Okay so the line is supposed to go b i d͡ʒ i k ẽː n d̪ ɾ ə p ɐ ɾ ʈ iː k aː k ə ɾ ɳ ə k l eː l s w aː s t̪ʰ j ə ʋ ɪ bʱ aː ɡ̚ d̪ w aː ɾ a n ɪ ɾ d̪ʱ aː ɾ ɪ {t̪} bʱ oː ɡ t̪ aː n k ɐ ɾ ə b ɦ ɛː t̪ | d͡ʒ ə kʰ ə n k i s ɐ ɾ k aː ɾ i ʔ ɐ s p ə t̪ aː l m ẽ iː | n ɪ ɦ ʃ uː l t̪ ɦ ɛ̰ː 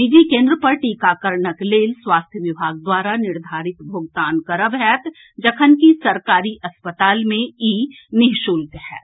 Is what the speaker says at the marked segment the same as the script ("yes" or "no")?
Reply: yes